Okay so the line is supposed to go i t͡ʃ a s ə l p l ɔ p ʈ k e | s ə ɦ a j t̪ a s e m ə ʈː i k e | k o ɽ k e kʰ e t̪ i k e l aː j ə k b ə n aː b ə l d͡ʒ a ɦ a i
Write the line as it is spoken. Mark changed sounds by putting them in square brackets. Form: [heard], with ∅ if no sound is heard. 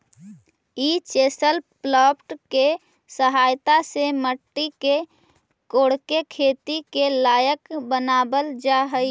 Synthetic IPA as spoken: i t͡ʃ [e] s ə l p l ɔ p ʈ k e | s ə ɦ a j t̪ a s e m ə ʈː i k e | k o ɽ k e kʰ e t̪ i k e l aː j ə k b ə n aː b ə l d͡ʒ a ɦ [ə] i